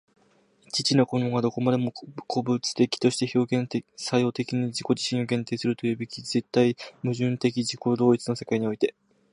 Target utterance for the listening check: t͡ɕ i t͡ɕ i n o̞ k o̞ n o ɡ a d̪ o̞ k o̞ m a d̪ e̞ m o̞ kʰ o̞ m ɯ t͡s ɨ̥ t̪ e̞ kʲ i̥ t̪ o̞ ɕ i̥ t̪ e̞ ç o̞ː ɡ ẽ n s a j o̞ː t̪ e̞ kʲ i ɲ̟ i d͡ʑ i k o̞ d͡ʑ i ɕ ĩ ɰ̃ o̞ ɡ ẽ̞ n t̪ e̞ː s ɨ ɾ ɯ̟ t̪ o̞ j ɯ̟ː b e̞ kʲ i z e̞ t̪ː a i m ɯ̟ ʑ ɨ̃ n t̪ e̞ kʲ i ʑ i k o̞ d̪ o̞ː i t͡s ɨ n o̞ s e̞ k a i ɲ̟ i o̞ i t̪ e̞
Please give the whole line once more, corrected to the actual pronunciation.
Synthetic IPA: t͡ɕ i t͡ɕ i n o̞ k o̞ n o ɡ a d̪ o̞ k o̞ m a d̪ e̞ m o̞ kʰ o̞ b ɯ t͡s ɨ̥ t̪ e̞ kʲ i̥ t̪ o̞ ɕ i̥ t̪ e̞ ç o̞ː ɡ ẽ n s a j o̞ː t̪ e̞ kʲ i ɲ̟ i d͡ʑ i k o̞ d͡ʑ i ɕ ĩ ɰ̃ o̞ ɡ ẽ̞ n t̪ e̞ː s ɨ ɾ ɯ̟ t̪ o̞ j ɯ̟ː b e̞ kʲ i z e̞ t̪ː a i m ɯ̟ ʑ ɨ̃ n t̪ e̞ kʲ i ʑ i k o̞ d̪ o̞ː i t͡s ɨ n o̞ s e̞ k a i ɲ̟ i o̞ i t̪ e̞